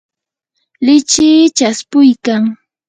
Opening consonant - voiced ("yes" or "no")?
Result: yes